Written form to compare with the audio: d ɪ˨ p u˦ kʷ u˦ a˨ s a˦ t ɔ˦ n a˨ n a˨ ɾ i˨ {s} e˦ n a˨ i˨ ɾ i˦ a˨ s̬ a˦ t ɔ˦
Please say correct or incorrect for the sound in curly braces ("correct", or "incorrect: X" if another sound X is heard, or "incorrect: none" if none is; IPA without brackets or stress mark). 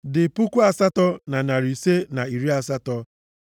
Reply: correct